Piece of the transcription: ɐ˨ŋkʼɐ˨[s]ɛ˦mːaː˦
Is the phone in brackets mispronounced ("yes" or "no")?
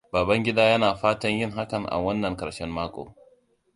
yes